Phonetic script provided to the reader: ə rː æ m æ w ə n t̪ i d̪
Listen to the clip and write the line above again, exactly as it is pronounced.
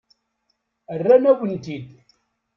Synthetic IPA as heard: ə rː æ n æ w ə n t̪ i d̪